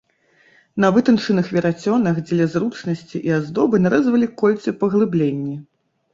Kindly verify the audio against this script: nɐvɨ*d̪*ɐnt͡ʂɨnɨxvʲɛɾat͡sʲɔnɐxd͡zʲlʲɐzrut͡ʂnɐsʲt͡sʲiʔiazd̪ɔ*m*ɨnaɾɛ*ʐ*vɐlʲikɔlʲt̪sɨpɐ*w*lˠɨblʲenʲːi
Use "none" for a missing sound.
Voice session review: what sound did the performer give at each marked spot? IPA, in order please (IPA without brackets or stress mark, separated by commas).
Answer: t̪, b, z, ɣ